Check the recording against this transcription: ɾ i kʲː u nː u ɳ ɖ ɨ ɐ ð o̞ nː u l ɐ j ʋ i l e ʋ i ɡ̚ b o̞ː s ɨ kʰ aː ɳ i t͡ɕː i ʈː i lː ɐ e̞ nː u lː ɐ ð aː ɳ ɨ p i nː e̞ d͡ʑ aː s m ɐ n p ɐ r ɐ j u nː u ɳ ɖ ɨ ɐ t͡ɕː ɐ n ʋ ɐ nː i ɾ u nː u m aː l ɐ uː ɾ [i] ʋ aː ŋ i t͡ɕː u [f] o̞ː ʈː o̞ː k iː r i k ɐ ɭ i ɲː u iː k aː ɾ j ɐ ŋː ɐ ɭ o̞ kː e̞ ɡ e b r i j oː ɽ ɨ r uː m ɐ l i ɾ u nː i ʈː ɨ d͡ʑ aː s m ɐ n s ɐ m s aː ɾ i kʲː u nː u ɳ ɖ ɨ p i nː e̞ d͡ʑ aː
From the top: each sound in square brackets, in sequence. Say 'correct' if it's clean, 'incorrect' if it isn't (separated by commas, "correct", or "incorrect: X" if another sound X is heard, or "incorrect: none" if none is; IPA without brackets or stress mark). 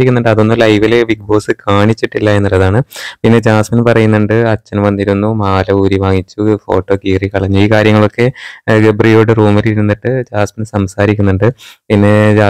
correct, correct